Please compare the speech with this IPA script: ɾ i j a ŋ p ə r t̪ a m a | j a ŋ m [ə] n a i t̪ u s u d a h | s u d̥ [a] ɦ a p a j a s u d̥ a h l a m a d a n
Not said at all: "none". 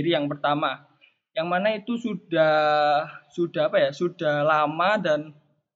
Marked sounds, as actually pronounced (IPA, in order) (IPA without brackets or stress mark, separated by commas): a, a